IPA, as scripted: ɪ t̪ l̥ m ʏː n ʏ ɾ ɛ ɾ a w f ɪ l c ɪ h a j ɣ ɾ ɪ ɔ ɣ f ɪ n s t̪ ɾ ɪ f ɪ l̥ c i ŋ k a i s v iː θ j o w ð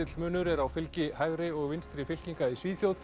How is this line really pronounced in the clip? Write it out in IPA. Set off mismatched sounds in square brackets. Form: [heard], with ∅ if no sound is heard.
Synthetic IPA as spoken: ɪ t̪ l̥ m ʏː n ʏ ɾ ɛ ɾ a w f ɪ l c ɪ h a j ɣ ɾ ɪ ɔ ɣ [v] ɪ n s t̪ ɾ ɪ f ɪ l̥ c i ŋ k a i s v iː θ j o w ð